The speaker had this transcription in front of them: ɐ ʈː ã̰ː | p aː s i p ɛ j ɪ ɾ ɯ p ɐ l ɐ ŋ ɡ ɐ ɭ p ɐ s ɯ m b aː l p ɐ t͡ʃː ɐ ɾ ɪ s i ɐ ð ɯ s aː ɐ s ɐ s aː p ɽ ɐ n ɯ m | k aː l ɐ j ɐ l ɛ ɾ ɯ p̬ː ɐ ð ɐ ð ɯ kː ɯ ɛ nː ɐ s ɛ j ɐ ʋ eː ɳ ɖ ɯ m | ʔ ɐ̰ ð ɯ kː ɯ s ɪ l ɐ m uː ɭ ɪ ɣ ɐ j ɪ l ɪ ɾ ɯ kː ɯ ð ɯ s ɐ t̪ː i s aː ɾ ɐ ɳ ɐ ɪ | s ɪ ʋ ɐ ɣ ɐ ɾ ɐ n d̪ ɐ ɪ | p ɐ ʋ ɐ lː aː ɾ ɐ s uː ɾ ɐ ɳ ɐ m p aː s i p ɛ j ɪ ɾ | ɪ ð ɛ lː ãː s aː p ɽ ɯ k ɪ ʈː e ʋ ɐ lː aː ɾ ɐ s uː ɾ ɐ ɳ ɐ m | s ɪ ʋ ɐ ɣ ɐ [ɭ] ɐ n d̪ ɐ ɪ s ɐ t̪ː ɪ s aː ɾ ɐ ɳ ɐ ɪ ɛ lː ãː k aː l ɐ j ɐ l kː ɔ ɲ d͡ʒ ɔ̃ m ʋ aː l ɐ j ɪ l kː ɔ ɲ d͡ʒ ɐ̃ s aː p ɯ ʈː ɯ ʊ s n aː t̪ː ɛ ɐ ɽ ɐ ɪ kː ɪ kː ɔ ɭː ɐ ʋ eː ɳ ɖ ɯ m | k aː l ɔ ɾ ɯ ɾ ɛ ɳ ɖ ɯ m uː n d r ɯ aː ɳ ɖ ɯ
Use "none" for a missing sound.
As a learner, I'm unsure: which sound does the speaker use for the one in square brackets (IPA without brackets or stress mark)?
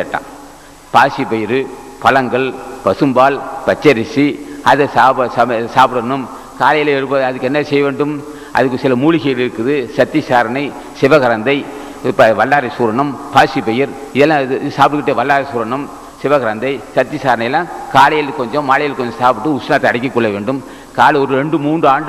ɾ